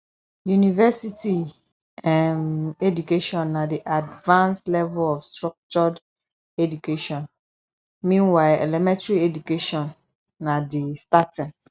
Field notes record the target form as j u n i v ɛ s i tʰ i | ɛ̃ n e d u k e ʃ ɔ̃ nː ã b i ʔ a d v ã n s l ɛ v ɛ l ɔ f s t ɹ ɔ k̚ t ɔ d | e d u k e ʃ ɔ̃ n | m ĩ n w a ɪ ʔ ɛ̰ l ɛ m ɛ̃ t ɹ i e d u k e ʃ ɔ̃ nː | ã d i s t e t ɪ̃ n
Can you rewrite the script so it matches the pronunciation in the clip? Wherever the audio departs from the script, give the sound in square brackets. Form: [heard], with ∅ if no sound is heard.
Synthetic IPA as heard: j u n i v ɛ s i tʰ i | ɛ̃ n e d u k e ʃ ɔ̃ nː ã [d] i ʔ a d v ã n s l ɛ v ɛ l ɔ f s t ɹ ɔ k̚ [t͡ʃ] ɔ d | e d u k e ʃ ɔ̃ n | m ĩ n w a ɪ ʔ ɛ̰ l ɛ m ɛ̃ t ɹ i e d u k e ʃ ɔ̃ nː | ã d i s t [a] t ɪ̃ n